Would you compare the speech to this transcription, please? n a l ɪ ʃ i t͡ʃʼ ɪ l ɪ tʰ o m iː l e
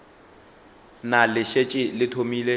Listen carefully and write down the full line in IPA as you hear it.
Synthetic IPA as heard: n a l ɪ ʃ e t͡ʃʼ ɪ l ɪ tʰ o m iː l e